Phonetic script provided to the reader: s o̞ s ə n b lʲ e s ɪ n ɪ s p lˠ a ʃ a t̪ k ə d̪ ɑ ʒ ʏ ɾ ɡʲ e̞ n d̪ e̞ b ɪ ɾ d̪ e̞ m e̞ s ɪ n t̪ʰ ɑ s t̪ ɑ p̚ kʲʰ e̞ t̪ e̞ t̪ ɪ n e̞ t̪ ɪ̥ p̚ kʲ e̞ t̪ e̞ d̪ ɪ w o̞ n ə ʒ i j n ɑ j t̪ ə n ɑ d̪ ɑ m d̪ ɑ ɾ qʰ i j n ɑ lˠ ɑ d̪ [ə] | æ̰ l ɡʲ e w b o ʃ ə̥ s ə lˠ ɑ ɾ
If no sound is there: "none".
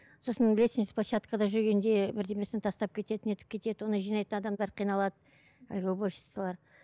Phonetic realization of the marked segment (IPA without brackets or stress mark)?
ə